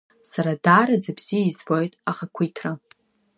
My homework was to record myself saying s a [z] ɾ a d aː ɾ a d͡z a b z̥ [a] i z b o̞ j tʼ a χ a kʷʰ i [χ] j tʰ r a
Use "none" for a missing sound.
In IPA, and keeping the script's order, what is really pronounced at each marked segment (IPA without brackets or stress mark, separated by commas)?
none, i, none